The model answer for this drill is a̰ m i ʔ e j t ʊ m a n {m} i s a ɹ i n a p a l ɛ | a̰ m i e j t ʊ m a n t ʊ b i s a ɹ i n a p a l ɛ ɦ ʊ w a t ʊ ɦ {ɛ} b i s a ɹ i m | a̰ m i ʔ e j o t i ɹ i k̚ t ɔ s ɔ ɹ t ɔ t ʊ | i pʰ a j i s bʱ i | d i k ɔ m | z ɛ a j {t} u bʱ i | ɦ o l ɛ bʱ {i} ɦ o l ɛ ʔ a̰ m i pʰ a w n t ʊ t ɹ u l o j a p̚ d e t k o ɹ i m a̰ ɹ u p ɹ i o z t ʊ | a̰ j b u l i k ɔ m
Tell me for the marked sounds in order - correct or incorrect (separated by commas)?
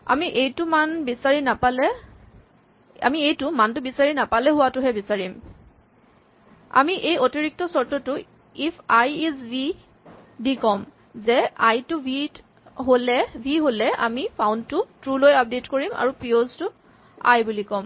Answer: incorrect, correct, correct, correct